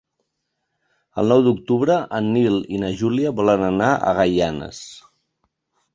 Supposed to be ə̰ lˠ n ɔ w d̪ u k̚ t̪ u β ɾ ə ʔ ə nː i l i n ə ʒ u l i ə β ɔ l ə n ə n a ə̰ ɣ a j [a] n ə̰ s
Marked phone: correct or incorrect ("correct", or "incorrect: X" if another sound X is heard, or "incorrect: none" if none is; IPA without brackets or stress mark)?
correct